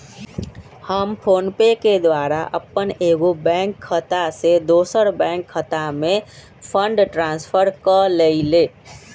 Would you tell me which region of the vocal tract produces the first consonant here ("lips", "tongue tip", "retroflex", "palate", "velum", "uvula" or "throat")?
throat